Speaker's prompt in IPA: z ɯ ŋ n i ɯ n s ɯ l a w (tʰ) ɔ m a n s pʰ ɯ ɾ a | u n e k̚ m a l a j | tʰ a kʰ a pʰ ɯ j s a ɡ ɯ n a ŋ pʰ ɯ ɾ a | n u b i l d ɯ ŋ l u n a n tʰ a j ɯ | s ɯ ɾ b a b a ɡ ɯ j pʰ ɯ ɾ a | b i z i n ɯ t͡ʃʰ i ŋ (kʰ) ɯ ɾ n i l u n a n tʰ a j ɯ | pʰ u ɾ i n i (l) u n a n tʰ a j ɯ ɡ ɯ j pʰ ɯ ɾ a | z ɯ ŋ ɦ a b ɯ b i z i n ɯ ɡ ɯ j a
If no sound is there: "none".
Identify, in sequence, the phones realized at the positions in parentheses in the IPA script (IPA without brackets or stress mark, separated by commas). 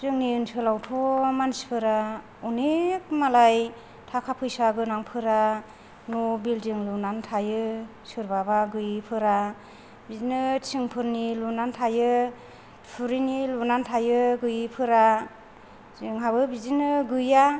tʰ, pʰ, l